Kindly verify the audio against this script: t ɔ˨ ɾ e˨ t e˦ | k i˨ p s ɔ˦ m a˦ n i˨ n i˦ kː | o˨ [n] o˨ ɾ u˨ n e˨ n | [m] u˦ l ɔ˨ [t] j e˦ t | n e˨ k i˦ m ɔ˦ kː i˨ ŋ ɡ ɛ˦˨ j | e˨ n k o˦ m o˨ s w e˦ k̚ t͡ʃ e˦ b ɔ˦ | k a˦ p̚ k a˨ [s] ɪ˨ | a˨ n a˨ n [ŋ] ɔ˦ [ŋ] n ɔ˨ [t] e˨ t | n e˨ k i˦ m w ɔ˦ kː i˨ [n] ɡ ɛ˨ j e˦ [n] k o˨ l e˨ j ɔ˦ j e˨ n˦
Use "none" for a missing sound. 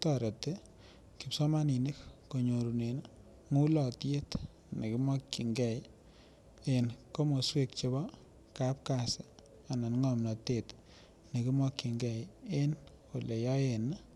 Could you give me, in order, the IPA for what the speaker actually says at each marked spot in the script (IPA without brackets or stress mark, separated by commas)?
ɲ, ŋ, t, s, ŋ, m, t, ŋ, n